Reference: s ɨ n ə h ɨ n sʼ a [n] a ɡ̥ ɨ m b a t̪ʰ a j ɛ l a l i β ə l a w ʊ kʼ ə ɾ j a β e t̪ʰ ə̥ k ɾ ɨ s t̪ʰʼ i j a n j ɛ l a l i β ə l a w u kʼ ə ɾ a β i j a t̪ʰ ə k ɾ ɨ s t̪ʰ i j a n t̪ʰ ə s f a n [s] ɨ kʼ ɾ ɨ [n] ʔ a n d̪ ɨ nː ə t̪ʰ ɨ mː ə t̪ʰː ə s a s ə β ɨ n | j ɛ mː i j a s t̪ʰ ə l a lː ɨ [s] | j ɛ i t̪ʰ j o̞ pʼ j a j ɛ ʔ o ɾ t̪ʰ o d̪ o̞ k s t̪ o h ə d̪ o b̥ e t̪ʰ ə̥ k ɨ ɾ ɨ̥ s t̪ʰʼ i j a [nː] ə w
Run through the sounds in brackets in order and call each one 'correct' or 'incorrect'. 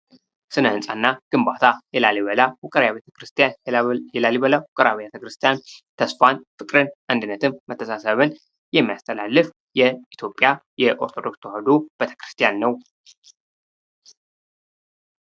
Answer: incorrect: nː, incorrect: f, correct, incorrect: f, correct

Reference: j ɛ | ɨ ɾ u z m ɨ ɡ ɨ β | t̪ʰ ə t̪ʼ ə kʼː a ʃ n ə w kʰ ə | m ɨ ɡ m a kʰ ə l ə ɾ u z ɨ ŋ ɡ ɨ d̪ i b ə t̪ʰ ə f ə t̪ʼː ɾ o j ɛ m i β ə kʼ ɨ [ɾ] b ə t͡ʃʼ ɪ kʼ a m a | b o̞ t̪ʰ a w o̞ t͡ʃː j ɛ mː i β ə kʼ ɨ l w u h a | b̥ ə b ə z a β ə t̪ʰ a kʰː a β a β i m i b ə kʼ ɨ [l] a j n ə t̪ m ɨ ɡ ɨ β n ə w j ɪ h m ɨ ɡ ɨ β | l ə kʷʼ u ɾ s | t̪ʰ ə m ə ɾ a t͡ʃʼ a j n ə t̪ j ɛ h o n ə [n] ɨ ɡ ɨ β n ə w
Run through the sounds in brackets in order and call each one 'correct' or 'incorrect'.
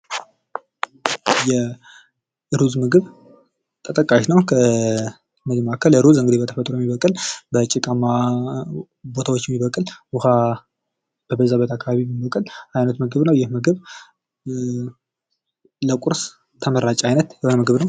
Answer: incorrect: l, correct, incorrect: m

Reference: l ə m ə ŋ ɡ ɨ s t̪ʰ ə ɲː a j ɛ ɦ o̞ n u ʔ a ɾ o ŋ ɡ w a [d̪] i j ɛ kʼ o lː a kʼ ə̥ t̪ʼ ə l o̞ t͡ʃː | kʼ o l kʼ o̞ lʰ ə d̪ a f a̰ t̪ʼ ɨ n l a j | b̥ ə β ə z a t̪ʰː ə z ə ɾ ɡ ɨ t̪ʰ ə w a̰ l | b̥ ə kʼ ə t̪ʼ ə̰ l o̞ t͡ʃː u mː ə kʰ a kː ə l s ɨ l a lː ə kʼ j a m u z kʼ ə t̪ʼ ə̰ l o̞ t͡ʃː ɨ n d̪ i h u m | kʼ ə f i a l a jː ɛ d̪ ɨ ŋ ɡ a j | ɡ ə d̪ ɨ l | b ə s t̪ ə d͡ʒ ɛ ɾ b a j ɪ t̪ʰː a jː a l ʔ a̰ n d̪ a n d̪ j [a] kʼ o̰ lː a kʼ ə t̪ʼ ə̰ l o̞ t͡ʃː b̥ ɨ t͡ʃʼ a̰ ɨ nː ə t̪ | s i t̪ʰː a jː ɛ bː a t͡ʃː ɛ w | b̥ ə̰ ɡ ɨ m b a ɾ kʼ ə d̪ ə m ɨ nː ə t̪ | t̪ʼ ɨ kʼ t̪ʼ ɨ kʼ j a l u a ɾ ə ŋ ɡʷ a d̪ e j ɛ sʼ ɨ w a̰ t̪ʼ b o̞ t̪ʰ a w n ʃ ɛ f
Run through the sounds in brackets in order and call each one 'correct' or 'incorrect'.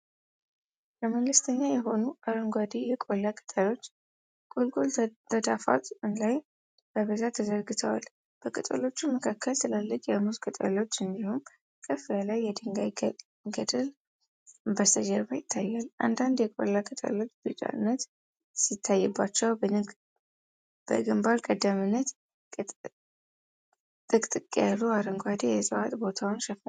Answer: correct, incorrect: ɛ

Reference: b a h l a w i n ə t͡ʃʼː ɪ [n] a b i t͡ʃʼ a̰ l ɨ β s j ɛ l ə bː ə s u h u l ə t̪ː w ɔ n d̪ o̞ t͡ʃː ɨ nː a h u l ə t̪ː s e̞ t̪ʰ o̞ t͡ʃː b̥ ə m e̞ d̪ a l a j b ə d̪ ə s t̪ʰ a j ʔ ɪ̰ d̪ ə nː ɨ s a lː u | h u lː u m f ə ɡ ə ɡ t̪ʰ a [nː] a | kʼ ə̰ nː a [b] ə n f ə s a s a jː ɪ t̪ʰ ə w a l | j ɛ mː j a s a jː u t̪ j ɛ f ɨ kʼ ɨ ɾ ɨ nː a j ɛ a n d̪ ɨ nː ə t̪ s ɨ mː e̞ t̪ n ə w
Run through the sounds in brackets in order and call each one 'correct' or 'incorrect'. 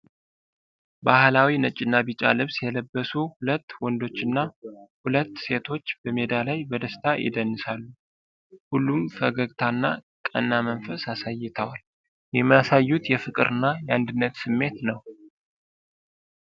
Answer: incorrect: nː, correct, incorrect: m

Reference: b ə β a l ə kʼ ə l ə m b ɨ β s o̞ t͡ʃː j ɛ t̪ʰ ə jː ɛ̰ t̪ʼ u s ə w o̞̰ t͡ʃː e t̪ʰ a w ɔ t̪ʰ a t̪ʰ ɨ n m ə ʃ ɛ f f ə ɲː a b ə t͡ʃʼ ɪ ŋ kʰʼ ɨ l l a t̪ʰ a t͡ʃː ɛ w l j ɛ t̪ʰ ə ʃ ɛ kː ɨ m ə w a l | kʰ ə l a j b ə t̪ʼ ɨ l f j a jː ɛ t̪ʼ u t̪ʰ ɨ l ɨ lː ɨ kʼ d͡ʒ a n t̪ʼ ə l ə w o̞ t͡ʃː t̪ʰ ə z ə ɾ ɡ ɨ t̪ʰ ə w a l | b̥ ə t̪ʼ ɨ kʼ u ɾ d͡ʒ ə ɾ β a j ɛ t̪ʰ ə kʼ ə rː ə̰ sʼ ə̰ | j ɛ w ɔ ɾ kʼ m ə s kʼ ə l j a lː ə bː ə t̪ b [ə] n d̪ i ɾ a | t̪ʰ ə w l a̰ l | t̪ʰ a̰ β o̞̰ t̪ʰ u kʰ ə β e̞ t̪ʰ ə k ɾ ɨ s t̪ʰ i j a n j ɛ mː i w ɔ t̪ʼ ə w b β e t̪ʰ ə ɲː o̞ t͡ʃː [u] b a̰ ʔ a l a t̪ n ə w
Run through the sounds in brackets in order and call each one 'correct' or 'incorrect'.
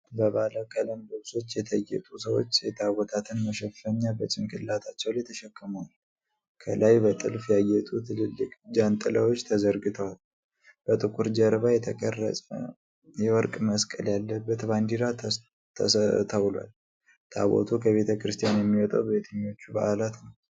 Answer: incorrect: a, correct

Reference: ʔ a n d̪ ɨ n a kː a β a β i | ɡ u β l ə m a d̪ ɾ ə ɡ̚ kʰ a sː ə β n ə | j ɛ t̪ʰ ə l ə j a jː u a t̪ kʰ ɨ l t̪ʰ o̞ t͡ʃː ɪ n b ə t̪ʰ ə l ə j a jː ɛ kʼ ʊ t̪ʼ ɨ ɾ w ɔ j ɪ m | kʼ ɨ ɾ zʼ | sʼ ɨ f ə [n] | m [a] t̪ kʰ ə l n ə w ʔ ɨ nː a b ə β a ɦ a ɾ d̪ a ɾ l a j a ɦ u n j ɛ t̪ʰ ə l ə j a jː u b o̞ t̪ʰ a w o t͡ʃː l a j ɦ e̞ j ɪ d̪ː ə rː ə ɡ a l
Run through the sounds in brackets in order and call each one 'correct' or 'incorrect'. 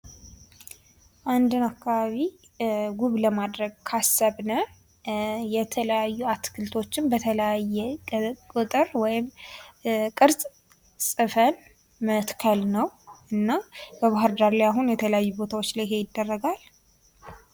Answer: correct, incorrect: ə

